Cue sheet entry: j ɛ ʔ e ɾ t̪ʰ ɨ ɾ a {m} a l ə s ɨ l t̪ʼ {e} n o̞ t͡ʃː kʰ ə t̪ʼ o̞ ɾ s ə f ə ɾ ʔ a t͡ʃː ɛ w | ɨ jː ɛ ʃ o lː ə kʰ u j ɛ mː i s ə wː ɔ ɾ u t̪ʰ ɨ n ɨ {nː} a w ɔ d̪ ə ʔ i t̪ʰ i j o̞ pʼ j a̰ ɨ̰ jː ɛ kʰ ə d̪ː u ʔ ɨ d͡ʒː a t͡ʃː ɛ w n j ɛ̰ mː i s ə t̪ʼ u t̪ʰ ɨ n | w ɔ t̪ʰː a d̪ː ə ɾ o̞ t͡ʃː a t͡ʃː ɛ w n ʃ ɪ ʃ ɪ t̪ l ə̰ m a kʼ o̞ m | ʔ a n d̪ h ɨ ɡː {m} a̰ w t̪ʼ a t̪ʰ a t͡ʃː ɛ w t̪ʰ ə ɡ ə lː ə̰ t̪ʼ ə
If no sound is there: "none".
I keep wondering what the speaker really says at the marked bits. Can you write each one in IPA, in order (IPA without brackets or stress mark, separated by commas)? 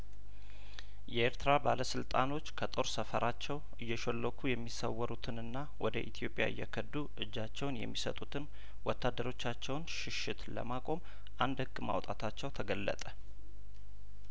b, a, nː, m